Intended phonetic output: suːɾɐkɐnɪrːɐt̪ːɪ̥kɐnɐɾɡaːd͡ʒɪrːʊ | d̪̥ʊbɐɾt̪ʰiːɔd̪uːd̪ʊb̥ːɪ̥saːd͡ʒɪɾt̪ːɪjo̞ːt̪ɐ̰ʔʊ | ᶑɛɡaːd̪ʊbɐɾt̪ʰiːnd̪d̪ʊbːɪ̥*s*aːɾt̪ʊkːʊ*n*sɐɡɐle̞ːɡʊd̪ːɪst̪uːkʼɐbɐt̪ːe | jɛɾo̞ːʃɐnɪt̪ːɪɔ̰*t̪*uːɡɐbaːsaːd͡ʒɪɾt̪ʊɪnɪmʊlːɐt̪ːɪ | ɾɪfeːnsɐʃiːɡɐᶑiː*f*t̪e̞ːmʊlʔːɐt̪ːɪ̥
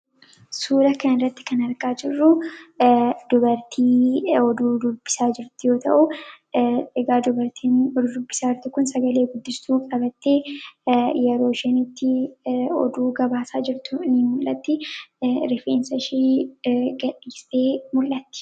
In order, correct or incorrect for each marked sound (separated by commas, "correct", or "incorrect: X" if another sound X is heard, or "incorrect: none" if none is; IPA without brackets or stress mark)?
correct, correct, incorrect: d̪, incorrect: s